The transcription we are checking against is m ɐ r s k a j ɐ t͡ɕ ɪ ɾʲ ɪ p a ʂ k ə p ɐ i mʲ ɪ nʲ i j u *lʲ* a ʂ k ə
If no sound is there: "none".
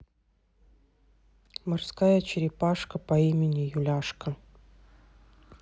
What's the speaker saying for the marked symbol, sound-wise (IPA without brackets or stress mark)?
lʲ